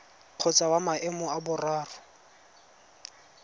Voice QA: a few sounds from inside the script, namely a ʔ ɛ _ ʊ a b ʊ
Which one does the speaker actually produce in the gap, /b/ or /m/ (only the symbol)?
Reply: m